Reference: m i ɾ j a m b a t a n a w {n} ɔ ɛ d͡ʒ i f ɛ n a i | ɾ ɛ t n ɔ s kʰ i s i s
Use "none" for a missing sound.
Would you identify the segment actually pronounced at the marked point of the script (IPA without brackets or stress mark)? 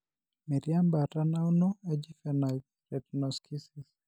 n